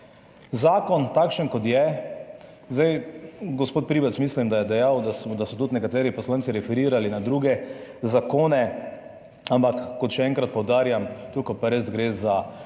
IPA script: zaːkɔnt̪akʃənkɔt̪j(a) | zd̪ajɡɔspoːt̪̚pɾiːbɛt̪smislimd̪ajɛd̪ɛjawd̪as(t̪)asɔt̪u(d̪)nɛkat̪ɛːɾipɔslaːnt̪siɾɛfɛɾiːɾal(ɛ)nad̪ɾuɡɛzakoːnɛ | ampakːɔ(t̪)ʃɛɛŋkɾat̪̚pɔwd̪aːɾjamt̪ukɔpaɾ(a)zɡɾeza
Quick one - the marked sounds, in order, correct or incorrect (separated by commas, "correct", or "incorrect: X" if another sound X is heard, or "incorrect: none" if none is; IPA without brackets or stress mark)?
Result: incorrect: ɛ, incorrect: d̪, incorrect: t̪, incorrect: i, correct, incorrect: e